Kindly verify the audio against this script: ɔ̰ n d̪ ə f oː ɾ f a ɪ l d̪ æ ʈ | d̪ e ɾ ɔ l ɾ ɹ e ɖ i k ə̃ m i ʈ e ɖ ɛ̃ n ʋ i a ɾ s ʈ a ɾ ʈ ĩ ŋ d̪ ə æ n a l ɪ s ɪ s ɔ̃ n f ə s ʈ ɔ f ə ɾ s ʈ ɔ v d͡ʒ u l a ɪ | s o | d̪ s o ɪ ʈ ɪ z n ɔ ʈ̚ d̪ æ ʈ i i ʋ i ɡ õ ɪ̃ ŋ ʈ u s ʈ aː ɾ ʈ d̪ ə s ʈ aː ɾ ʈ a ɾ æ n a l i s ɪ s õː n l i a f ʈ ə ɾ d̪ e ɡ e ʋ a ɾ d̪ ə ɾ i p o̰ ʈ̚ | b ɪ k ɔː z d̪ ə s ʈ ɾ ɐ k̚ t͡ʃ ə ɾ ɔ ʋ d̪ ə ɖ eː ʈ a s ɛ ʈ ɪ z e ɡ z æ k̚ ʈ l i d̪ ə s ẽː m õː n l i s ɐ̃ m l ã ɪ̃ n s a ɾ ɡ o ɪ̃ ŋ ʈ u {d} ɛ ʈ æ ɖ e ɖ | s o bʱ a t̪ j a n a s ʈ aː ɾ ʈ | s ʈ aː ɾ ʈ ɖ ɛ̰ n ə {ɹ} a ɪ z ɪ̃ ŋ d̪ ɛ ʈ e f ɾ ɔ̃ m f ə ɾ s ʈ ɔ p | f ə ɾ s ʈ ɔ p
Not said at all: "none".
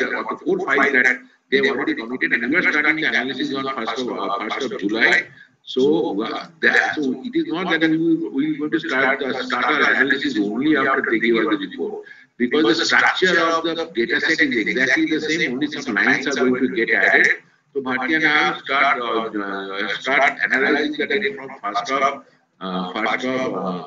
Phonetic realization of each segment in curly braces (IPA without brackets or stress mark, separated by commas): ɡ, l